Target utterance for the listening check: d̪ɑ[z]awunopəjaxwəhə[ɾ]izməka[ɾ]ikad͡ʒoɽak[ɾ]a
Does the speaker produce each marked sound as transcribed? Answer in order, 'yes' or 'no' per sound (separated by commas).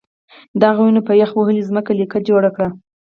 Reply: no, no, no, no